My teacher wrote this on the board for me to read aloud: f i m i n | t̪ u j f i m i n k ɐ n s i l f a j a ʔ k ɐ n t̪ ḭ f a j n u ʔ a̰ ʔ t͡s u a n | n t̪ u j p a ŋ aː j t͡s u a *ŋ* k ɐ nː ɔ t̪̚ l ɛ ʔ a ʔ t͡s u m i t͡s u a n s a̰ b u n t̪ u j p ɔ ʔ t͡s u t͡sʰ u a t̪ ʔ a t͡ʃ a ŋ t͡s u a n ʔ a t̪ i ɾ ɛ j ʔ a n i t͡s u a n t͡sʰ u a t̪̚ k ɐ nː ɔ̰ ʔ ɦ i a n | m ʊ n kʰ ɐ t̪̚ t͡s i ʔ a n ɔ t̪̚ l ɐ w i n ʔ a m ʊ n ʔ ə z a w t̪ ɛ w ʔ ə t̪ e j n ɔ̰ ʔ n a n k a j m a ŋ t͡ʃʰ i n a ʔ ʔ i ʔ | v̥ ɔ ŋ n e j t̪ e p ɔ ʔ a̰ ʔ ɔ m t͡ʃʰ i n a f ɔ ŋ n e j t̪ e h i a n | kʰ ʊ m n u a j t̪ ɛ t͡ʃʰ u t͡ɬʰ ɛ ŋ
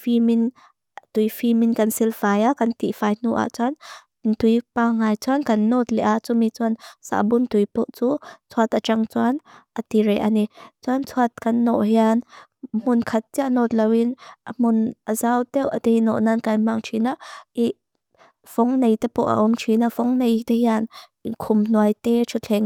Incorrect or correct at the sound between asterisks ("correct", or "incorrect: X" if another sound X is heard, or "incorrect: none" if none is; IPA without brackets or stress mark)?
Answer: incorrect: n